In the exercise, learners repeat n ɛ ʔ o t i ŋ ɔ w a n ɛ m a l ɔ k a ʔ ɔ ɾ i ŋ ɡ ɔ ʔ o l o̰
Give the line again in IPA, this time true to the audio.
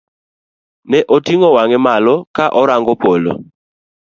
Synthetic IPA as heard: n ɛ ʔ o t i ŋ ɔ w a ŋ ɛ m a l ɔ k a ʔ ɔ ɾ a ŋ ɡ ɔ p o l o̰